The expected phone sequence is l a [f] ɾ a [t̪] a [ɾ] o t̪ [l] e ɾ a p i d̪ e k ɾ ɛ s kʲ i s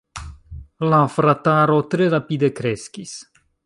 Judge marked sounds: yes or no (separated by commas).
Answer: yes, yes, yes, no